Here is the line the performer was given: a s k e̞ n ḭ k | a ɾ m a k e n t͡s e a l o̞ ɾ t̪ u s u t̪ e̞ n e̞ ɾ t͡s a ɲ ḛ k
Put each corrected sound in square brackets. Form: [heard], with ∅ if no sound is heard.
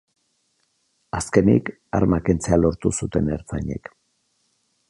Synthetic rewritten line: a s k e̞ n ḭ k | a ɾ m a k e n t͡s e a l o̞ ɾ t̪ u s u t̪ e̞ n e̞ ɾ t͡s a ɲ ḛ k